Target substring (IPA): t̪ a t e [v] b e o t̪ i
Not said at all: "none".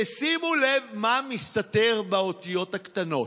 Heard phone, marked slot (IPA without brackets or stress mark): ʁ